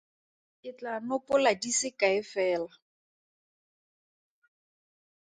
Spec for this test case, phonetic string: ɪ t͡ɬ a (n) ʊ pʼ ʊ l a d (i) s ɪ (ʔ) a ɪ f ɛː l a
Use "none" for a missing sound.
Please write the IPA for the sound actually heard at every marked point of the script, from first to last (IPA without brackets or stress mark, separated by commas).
n, i, k